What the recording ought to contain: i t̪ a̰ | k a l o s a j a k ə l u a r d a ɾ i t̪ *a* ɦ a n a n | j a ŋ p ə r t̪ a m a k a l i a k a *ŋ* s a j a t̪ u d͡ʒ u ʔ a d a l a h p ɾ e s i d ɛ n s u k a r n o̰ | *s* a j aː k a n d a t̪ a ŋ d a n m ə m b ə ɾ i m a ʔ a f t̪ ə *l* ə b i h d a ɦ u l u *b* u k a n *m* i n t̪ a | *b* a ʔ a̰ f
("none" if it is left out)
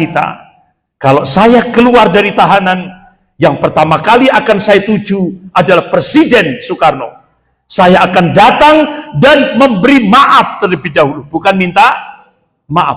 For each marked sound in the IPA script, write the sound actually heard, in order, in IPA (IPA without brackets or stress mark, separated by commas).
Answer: a, n, s, l, b, m, m